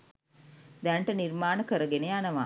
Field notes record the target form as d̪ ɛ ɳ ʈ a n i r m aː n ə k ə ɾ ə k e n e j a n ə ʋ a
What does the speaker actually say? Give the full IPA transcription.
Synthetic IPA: d̪ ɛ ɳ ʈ ə n i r m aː n ə k ə ɾ ə ɡ e n e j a n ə ʋ a